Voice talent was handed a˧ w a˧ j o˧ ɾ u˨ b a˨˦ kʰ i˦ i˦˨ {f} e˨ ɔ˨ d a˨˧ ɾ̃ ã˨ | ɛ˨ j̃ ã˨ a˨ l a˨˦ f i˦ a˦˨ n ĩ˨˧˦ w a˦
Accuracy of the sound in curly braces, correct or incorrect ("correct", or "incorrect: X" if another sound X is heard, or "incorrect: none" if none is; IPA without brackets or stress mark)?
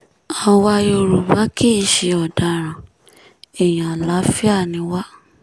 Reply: incorrect: ʃ